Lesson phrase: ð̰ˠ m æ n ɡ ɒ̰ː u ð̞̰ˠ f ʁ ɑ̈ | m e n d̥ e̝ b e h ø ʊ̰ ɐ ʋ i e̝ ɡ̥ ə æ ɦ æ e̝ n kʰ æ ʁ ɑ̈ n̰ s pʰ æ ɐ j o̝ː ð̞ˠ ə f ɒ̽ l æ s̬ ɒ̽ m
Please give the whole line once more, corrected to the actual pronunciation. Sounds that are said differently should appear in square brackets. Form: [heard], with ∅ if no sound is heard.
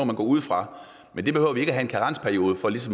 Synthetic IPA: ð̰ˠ m æ n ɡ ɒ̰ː u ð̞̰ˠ f ʁ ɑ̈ | m e n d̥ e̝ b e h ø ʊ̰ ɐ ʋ i e̝ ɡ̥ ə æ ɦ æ e̝ n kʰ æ ʁ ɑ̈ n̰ s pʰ æ ɐ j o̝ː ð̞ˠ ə f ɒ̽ l [i] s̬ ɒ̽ m